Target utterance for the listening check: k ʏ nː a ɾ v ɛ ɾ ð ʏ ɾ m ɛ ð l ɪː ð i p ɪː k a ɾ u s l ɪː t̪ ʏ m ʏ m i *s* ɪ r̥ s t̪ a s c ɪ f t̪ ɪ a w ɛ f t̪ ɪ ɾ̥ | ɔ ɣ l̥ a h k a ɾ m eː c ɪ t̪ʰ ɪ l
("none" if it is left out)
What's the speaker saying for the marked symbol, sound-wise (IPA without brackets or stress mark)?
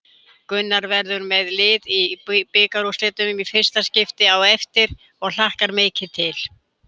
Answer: f